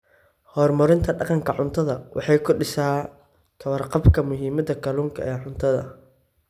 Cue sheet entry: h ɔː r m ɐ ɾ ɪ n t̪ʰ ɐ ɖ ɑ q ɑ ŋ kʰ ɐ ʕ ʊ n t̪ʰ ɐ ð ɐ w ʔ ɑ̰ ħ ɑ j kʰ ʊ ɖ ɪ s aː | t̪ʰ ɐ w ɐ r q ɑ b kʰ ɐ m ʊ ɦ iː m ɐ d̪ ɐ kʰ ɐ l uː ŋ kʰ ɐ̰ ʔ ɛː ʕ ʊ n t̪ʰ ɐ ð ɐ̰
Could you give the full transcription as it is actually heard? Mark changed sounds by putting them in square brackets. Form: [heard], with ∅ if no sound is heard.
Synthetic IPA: h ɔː r m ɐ ɾ ɪ n t̪ʰ ɐ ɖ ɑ q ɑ ŋ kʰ ɐ ʕ ʊ n t̪ʰ ɐ ð ɐ w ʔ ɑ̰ ħ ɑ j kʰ ʊ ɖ ɪ s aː | t̪ʰ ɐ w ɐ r q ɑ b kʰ ɐ m ʊ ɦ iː m ɐ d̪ ɐ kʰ ɐ l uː ŋ kʰ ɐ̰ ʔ ɛː ʕ ʊ n t̪ʰ ɐ ð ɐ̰